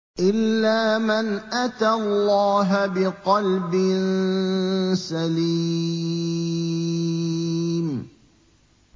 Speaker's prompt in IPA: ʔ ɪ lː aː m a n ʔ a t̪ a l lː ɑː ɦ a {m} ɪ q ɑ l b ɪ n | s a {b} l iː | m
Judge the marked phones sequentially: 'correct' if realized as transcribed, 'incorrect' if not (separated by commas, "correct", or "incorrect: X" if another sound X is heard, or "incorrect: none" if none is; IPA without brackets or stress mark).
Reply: incorrect: b, incorrect: none